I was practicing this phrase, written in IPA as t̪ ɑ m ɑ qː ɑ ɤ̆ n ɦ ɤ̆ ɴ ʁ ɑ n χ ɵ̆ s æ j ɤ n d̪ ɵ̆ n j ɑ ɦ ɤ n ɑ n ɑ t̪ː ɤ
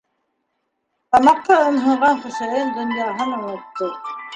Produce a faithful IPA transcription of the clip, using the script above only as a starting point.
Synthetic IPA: t̪ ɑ m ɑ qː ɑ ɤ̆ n ɦ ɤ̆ ɴ ʁ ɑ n χ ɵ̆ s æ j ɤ n d̪ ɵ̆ n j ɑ ɦ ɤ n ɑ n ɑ t̪ː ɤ